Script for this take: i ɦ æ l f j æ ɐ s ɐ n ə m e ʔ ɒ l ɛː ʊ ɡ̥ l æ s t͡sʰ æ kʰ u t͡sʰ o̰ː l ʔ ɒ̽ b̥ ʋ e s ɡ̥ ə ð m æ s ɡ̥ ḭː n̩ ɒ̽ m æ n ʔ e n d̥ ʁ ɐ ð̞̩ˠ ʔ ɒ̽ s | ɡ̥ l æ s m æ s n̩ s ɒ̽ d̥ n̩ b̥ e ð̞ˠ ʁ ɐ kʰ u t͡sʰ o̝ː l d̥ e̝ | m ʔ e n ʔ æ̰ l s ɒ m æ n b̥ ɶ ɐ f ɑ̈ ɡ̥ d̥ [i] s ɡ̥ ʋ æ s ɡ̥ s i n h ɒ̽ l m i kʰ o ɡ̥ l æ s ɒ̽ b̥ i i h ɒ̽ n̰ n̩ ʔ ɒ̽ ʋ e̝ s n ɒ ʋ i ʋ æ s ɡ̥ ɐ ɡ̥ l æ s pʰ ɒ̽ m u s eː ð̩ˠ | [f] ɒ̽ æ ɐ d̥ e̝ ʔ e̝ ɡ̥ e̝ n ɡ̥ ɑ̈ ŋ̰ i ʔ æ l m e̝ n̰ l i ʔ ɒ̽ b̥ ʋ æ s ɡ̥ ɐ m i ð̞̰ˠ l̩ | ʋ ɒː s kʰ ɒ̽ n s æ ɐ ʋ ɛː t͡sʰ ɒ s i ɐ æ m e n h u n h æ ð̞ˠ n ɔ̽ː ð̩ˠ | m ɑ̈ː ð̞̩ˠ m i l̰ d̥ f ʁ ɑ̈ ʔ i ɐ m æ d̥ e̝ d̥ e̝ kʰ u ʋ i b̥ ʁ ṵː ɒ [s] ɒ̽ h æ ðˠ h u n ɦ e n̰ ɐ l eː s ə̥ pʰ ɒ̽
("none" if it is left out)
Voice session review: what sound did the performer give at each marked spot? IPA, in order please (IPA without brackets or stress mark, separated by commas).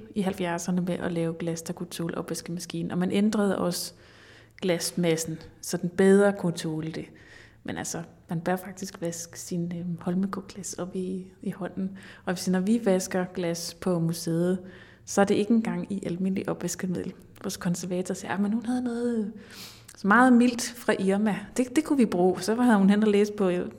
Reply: i, s, s